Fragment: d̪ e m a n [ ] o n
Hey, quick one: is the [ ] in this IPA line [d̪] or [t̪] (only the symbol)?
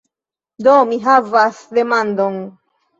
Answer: d̪